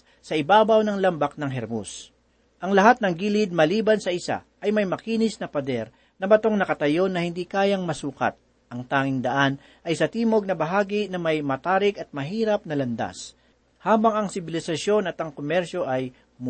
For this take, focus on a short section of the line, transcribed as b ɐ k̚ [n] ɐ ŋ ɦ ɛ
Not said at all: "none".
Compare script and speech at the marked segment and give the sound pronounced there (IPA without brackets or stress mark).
n